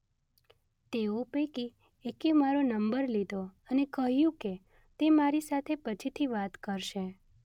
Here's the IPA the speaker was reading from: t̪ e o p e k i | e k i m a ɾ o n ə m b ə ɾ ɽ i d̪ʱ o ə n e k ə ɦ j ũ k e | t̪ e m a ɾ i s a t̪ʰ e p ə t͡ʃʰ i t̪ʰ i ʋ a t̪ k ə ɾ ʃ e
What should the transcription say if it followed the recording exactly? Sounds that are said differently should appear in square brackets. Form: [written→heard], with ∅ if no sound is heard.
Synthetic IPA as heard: t̪ e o p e k i | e k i m a ɾ o n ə m b ə ɾ [ɽ→l] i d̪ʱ o ə n e k ə ɦ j ũ k e | t̪ e m a ɾ i s a t̪ʰ e p ə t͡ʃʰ i t̪ʰ i ʋ a t̪ k ə ɾ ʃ e

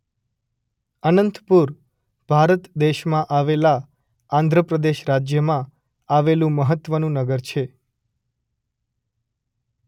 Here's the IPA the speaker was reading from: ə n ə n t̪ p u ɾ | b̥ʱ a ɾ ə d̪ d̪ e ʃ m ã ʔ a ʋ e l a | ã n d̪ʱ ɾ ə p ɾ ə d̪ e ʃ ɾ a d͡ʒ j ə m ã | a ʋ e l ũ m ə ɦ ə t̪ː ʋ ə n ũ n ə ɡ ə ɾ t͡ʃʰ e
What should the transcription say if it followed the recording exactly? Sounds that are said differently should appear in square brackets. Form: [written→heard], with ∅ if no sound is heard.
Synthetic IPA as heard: ə n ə n t̪ p u ɾ | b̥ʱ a ɾ ə [d̪→t̪] d̪ e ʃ m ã ʔ a ʋ e l a | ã n d̪ʱ ɾ ə p ɾ ə d̪ e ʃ ɾ a d͡ʒ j ə m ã | a ʋ e l ũ m ə ɦ ə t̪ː ʋ ə n ũ n ə ɡ ə ɾ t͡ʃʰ e

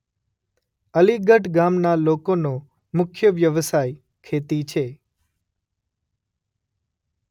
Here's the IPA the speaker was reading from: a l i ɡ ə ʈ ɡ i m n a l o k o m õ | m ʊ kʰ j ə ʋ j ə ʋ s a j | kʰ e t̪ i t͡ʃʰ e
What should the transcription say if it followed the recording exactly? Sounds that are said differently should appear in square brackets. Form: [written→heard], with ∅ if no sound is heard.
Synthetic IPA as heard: [a→ə] l i ɡ ə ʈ ɡ [i→a] m n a l o k o [m→n] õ | m ʊ kʰ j ə ʋ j ə ʋ s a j | kʰ e t̪ i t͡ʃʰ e

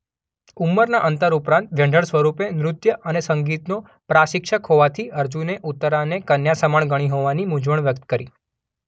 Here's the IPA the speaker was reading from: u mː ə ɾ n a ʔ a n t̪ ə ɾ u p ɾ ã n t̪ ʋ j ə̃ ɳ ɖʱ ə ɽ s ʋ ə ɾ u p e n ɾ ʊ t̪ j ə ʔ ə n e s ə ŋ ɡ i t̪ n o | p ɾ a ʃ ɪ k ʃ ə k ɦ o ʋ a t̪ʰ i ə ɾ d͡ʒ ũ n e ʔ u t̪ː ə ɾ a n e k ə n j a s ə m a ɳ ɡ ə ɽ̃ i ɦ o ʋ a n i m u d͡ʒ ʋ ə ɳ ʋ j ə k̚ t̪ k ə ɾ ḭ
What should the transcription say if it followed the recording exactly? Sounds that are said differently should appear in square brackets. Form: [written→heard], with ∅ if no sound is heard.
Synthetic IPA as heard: u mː ə ɾ n a ʔ [a→ə] n t̪ ə ɾ u p ɾ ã n t̪ ʋ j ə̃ ɳ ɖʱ ə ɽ s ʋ ə ɾ u p e n ɾ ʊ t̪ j ə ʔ ə n e s ə ŋ ɡ i t̪ n o | p ɾ a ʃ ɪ k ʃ ə k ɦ o ʋ a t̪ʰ i ə ɾ d͡ʒ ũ n e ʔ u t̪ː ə ɾ a n e k ə n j a s ə m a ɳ ɡ ə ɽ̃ i ɦ o ʋ a n i m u d͡ʒ ʋ ə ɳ ʋ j ə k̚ t̪ k ə ɾ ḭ

